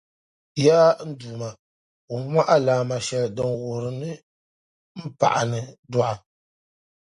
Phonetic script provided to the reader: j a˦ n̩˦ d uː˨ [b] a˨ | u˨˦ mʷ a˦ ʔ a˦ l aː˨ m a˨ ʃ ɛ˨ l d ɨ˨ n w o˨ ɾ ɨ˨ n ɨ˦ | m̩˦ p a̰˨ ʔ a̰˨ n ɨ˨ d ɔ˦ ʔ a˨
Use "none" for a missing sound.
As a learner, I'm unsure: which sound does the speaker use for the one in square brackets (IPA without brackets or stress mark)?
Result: m